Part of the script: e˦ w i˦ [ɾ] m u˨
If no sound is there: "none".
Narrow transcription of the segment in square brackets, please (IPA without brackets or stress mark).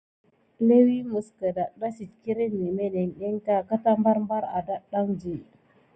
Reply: none